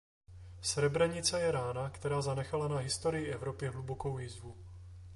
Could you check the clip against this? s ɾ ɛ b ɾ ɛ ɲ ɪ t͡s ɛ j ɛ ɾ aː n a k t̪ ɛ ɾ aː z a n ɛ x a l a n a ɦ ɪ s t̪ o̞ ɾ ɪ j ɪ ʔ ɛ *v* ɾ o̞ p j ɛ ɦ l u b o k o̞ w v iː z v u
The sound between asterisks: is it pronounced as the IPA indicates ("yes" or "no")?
yes